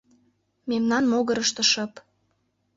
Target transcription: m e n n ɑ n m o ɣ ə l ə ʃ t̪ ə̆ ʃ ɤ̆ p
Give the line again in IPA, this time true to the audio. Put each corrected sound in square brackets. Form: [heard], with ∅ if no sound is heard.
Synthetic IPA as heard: m e [m] n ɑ n m o ɣ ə [ɾ] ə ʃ t̪ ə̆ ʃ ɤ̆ p

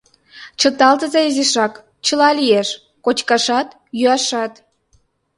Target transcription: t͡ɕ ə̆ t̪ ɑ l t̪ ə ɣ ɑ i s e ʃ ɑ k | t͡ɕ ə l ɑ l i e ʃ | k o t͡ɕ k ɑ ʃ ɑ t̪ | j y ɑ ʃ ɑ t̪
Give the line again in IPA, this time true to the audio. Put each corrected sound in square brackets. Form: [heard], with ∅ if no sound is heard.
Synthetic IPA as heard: t͡ɕ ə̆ t̪ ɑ l t̪ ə [z] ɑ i [z] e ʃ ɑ k | t͡ɕ ə l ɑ l i e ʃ | k o t͡ɕ k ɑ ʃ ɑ t̪ | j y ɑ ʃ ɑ t̪

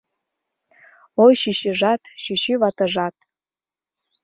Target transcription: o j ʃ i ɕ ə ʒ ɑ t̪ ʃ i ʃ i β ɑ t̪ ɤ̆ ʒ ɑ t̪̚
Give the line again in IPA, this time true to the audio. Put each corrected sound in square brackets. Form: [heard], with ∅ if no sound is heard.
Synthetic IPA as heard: o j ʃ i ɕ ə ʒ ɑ t̪ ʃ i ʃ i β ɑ t̪ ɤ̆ ʒ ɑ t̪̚

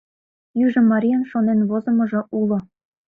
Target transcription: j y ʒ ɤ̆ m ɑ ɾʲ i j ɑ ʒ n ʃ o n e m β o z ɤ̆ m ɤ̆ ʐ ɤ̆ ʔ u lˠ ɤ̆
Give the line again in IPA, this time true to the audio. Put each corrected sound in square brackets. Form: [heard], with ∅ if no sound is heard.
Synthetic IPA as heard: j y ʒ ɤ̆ m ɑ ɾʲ i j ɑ [∅] n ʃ o n e [n] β o z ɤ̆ m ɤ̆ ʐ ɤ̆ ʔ u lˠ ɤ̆

